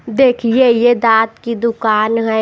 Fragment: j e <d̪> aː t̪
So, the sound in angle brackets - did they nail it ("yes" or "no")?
yes